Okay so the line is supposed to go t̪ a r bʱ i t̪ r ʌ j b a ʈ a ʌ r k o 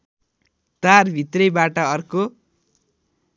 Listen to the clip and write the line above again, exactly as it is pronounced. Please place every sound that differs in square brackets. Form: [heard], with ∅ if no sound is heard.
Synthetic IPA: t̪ a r bʱ i t̪ r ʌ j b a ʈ [ʌ] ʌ r k o

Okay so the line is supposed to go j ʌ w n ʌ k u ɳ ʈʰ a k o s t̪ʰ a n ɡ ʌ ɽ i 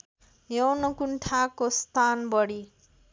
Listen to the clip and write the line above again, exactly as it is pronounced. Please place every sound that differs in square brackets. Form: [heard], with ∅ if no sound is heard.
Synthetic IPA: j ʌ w n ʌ k u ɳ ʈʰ a k o s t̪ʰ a n [b] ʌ ɽ i

